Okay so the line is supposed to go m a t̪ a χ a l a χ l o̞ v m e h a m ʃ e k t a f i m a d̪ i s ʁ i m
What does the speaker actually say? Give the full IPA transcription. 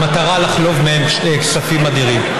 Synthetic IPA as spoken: m a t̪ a ʁ a l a χ l o̞ v m e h e m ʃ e k s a f i m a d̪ i ʁ i m